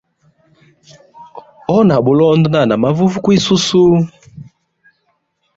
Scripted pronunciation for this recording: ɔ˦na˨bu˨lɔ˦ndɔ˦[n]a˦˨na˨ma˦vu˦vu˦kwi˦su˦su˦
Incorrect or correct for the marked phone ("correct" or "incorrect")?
correct